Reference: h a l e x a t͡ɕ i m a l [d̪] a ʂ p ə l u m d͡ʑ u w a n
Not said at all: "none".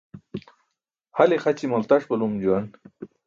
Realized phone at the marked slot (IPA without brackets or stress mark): t̪